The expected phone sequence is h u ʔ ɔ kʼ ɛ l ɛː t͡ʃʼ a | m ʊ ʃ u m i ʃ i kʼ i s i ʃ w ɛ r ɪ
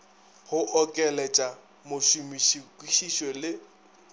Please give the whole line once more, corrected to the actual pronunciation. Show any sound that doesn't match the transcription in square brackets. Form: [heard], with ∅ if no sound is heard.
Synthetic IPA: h [ʊ] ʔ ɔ kʼ ɛ l [ɛ] t͡ʃʼ a | m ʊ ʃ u m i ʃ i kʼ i [ʃ] i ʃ w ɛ [l] ɪ